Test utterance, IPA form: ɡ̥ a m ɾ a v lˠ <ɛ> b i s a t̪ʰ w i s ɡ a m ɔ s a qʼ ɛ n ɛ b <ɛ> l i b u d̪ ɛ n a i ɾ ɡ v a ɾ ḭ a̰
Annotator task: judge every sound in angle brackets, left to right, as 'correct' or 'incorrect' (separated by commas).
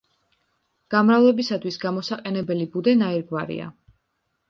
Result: correct, correct